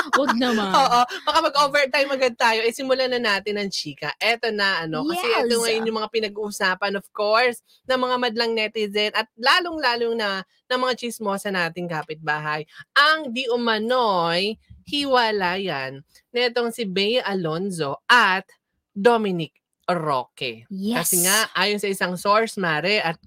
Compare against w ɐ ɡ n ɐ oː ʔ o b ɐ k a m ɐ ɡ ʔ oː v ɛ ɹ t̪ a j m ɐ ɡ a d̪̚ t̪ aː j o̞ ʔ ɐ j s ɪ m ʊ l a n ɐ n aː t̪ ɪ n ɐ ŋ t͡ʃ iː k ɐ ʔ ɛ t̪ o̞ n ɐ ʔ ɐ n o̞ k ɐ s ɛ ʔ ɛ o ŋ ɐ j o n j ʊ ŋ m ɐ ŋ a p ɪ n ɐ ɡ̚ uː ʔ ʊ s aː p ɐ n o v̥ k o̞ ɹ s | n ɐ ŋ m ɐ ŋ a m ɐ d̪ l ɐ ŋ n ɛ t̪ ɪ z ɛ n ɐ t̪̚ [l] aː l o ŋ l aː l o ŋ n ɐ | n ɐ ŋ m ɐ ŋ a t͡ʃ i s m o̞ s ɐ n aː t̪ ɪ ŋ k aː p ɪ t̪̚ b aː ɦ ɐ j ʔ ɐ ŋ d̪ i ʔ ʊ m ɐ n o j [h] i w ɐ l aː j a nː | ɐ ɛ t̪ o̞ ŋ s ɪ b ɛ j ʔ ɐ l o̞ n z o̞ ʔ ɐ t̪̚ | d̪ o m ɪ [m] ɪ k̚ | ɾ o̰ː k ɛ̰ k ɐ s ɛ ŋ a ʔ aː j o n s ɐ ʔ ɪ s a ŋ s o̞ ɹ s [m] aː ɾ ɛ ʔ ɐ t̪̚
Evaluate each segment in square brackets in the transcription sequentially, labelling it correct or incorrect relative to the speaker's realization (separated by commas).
correct, correct, incorrect, correct